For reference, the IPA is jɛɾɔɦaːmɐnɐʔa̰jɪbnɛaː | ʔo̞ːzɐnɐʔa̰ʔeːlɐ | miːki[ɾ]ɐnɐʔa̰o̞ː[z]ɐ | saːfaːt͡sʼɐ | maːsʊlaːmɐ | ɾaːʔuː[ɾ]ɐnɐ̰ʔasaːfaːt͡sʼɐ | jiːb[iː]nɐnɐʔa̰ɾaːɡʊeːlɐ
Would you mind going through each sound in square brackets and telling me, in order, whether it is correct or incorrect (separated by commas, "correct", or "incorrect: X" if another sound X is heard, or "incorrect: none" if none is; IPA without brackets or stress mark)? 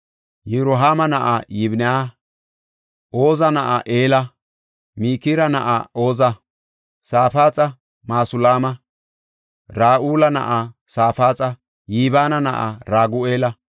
correct, correct, incorrect: l, incorrect: aː